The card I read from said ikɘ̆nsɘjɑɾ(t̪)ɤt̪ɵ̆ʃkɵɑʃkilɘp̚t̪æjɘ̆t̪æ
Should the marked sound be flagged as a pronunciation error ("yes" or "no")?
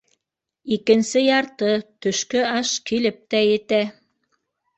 no